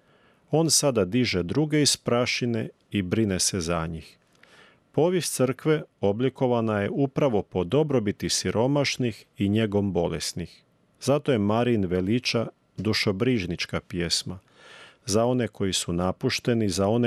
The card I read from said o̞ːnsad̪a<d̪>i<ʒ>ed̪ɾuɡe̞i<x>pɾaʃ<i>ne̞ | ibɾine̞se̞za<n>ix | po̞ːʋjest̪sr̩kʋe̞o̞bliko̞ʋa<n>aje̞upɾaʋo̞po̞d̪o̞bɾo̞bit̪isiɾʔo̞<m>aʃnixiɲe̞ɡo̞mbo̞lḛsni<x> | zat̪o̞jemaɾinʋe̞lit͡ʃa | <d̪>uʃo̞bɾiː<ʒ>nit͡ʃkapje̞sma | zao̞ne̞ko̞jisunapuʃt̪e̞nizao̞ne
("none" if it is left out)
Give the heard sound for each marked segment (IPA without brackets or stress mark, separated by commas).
d̪, ʒ, s, i, ɲ, n, m, x, d̪, ʒ